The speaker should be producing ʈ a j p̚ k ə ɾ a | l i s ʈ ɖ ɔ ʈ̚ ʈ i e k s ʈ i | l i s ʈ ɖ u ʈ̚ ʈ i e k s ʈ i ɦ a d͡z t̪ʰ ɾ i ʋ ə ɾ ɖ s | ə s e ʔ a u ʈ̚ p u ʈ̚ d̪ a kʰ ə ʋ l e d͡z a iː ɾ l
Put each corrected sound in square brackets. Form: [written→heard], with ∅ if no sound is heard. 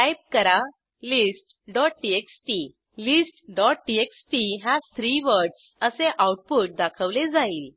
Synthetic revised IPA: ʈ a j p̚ k ə ɾ a | l i s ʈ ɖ ɔ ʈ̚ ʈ i e k s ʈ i | l i s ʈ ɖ [u→ɔ] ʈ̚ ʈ i e k s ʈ i ɦ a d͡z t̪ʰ ɾ i ʋ ə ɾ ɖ s | ə s e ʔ a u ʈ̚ p u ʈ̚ d̪ a kʰ ə ʋ l e d͡z a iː [ɾ→∅] l